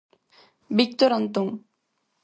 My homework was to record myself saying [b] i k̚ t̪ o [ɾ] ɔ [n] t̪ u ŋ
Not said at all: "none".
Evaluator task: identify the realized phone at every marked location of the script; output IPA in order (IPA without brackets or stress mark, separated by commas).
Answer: b, ɾ, n